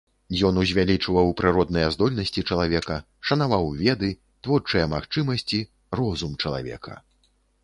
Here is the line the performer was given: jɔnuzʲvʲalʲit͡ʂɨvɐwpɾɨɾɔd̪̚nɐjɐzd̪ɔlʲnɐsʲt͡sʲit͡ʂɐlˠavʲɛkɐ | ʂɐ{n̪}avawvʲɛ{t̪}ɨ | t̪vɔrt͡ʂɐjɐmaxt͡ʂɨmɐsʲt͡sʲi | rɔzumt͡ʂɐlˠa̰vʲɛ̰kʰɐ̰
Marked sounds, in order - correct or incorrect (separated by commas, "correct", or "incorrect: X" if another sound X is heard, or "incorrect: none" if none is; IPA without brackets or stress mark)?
correct, incorrect: d̪